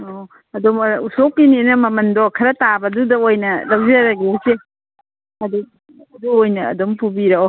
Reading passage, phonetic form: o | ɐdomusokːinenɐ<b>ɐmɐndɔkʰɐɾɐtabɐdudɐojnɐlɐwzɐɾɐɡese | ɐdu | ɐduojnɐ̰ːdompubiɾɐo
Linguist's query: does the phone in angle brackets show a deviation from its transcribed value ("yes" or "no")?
yes